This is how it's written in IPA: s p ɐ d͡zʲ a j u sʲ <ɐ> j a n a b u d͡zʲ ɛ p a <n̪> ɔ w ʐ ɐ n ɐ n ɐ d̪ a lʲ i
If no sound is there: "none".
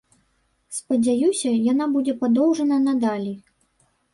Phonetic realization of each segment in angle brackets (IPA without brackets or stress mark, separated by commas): ɐ, d̪